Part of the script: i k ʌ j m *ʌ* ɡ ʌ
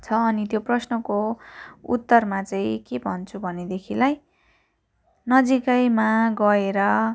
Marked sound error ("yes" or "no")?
yes